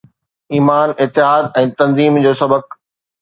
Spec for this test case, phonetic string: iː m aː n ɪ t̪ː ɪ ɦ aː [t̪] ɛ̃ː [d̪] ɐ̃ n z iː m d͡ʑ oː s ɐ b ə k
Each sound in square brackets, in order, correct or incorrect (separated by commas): incorrect, incorrect